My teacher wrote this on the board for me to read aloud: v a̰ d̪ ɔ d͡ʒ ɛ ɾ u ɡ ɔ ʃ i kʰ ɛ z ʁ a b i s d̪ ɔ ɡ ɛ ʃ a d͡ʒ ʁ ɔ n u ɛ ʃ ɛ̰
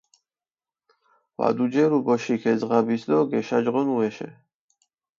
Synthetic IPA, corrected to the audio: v a̰ d̪ u d͡ʒ ɛ ɾ u b ɔ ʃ i kʰ ɛ z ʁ a b i s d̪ ɔ ɡ ɛ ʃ a d͡ʒ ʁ ɔ n u ɛ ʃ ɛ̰